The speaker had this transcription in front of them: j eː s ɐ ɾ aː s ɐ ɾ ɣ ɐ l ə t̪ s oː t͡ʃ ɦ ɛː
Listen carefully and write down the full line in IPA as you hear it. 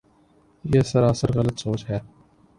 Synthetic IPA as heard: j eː s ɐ ɾ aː s ə ɾ ɣ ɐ l ə t̪ s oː t͡ʃ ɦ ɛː